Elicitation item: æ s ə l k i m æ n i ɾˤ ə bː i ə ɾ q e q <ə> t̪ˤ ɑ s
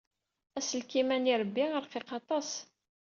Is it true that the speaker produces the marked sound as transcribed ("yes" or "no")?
no